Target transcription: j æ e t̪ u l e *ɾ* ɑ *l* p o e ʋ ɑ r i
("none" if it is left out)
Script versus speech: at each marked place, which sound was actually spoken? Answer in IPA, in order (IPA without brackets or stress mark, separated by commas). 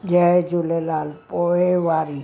l, l